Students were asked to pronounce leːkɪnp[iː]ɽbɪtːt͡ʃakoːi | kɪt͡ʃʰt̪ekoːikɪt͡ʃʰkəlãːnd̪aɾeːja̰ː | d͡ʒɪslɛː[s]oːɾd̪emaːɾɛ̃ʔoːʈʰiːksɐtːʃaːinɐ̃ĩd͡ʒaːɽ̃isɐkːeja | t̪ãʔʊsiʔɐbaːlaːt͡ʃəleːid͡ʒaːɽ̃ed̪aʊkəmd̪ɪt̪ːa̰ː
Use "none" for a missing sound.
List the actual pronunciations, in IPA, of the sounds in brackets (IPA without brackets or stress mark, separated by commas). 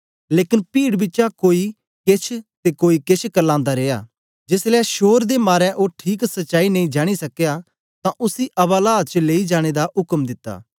iː, ʃ